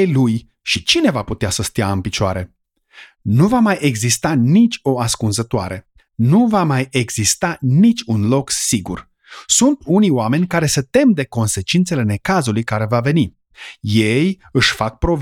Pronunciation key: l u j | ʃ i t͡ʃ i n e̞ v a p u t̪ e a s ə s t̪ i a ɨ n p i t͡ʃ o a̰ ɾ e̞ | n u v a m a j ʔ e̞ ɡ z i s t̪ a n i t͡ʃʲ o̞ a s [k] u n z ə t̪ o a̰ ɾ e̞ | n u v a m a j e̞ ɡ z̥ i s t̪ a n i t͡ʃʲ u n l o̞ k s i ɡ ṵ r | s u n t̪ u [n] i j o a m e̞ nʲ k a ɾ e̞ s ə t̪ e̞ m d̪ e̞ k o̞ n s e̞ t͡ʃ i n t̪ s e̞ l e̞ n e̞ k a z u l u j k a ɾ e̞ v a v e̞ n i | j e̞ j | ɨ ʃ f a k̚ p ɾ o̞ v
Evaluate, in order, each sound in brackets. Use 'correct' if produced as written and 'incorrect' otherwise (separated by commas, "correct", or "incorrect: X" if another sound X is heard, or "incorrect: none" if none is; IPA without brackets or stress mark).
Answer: correct, correct